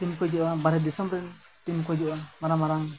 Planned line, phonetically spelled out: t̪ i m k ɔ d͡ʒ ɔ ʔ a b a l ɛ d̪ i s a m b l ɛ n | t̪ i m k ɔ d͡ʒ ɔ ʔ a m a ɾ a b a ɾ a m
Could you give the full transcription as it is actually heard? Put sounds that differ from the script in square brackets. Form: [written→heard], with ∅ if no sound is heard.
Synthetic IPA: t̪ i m k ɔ d͡ʒ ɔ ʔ a b a [l→ɾ] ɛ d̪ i s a m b [l→ɾ] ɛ n | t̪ i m k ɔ d͡ʒ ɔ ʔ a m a ɾ a [b→m] a ɾ a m